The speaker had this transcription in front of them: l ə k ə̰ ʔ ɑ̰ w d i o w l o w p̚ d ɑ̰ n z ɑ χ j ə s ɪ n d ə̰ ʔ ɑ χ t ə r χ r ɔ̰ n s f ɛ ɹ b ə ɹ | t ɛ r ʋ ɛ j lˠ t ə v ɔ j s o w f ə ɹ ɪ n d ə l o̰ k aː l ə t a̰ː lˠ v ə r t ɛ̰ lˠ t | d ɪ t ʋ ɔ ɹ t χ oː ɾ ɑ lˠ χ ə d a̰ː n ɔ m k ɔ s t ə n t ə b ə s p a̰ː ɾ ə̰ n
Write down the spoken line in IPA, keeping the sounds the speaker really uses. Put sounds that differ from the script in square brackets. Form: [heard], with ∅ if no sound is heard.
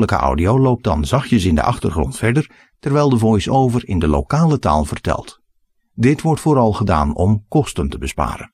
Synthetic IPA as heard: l ə k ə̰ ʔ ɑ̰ w d i o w l o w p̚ d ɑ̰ n z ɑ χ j ə s ɪ n d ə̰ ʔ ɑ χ t ə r χ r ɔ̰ n [t] f ɛ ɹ [d] ə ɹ | t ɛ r ʋ ɛ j lˠ [d] ə v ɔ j s o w [v] ə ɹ ɪ n d ə l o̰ k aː l ə t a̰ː lˠ v ə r t ɛ̰ lˠ t | d ɪ t ʋ ɔ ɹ t [f] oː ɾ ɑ lˠ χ ə d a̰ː n ɔ m k ɔ s t ə n t ə b ə s p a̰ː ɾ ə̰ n